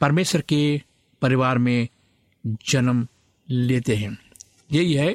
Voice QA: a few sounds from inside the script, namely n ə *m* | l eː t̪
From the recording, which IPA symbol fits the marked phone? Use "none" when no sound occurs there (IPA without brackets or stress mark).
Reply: m